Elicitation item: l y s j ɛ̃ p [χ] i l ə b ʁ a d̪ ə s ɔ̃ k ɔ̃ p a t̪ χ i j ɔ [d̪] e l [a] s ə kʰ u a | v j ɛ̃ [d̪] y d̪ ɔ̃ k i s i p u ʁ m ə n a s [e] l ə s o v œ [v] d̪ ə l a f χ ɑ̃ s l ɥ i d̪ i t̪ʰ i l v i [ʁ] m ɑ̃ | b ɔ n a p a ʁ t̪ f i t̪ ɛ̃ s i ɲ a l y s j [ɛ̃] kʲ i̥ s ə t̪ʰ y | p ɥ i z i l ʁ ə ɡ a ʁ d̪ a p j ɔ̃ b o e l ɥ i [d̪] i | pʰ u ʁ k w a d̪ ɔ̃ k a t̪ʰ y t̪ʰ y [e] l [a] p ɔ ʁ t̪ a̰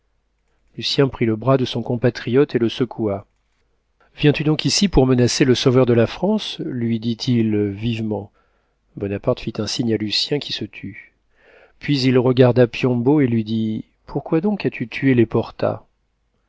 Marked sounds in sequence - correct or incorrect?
correct, incorrect, incorrect, incorrect, correct, incorrect, incorrect, correct, correct, correct, incorrect

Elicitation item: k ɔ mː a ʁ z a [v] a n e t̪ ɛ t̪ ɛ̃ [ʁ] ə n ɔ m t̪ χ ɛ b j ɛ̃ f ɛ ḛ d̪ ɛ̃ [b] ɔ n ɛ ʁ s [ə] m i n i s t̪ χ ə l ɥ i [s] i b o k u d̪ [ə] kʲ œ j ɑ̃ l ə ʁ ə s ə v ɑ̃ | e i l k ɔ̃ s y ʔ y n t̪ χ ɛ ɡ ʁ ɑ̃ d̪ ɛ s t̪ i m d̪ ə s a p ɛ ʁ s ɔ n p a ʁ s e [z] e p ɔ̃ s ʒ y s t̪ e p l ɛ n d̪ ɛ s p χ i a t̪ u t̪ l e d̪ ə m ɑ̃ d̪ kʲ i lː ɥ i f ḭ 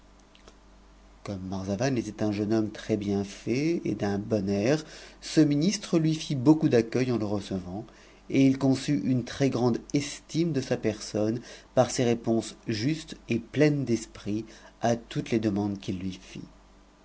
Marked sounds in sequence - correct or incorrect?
correct, incorrect, correct, correct, incorrect, incorrect, incorrect

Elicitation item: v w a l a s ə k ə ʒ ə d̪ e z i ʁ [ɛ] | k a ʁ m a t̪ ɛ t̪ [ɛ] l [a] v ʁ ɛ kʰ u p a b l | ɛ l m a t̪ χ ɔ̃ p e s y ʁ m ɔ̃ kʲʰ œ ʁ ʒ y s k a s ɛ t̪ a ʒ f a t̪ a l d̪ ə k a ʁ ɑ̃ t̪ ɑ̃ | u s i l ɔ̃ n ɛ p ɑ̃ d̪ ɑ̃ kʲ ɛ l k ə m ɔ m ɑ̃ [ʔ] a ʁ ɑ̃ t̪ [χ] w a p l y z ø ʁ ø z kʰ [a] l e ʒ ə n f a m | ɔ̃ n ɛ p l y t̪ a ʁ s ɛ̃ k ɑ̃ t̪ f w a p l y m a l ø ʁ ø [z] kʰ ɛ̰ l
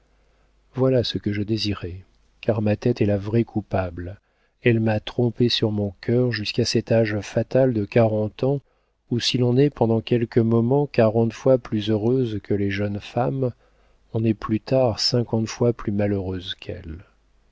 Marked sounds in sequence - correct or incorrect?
correct, correct, correct, incorrect, incorrect, incorrect, correct

